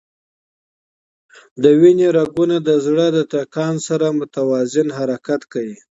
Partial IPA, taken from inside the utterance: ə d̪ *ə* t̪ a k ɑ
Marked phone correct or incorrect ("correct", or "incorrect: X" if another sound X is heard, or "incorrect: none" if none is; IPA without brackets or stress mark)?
correct